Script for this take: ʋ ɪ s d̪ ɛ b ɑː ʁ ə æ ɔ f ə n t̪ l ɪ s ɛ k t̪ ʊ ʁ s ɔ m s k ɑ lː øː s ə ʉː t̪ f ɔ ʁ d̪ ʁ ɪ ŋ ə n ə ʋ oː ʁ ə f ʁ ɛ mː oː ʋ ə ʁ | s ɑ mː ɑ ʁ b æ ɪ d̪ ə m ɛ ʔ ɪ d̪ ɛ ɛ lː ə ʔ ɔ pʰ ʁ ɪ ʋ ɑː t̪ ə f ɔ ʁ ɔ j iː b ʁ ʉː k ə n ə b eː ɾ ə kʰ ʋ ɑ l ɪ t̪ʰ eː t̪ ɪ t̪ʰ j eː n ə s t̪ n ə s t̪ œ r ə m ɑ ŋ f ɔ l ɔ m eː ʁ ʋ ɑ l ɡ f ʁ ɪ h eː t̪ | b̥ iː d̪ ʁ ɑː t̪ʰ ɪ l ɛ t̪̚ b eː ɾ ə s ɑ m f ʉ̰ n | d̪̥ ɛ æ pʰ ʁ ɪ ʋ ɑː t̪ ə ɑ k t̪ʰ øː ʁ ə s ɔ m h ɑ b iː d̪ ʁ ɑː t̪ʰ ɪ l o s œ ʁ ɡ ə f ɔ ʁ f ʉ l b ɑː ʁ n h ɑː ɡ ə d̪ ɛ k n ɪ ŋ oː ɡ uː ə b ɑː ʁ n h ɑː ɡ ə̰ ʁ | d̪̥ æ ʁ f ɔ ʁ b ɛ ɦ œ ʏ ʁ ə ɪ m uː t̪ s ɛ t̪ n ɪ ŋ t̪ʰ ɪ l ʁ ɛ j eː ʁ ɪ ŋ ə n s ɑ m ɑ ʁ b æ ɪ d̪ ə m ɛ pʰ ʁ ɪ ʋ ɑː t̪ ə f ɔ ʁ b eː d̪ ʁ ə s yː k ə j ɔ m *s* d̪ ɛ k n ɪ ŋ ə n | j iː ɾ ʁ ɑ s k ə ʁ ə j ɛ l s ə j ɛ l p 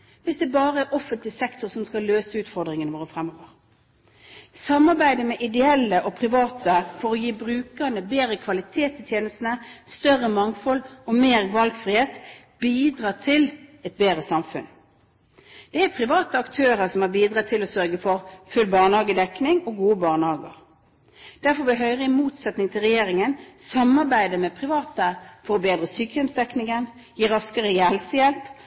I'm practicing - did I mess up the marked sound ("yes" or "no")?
no